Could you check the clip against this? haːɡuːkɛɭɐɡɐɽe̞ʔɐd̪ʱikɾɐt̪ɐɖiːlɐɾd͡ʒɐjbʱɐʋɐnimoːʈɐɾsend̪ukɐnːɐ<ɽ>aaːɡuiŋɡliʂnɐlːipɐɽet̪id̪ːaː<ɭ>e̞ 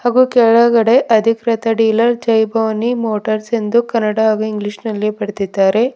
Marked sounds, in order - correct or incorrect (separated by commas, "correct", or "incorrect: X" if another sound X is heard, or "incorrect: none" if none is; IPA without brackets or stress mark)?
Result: correct, incorrect: ɾ